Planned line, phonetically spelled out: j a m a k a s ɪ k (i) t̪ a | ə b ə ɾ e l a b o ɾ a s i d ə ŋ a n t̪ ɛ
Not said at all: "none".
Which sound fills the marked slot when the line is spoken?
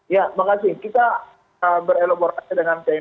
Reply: i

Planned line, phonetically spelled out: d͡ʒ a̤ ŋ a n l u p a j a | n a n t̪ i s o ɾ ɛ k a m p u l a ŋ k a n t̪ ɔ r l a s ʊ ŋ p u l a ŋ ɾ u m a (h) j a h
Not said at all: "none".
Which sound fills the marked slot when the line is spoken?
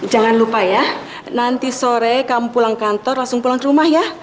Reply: h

